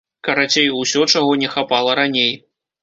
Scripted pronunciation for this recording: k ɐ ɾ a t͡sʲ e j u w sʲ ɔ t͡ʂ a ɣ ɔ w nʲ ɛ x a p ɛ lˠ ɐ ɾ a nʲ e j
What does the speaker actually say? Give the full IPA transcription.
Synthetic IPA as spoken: k ɐ ɾ a t͡sʲ e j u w sʲ ɔ t͡ʂ a ɣ ɔ nʲ ɛ x a p a lˠ ɐ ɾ a nʲ e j